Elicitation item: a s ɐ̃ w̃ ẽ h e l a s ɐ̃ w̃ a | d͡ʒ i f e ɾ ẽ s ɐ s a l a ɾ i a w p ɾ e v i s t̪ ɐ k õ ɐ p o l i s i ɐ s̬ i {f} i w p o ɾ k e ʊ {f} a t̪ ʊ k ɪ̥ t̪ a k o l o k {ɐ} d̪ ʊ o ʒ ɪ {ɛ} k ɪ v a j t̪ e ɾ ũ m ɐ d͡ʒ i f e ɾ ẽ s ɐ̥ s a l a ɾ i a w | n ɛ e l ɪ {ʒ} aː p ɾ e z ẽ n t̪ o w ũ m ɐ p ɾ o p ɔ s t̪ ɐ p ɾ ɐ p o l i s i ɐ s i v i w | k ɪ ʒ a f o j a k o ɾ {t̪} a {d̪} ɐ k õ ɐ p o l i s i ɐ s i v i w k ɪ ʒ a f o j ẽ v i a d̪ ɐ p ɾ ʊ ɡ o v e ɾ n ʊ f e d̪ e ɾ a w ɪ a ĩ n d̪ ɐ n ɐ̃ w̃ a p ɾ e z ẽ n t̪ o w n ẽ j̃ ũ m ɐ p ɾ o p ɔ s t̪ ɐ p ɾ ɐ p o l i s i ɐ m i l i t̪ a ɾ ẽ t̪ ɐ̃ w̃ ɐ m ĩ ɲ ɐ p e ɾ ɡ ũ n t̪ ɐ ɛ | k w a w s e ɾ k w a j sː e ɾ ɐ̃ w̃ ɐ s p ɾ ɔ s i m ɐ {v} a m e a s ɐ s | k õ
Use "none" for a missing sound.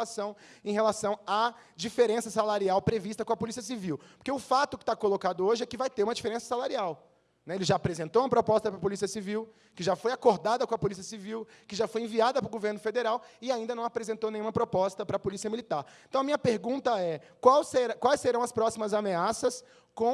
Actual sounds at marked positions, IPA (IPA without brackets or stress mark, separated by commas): v, f, a, ɛ, ʒ, d̪, d̪, z